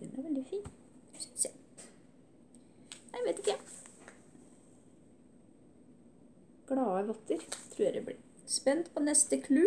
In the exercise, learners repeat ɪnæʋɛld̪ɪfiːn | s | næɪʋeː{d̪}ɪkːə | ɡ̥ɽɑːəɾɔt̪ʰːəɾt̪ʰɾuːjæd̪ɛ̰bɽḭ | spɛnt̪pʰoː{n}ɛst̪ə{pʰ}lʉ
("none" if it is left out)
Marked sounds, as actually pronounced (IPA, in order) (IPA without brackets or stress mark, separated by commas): t̪, n, kʰ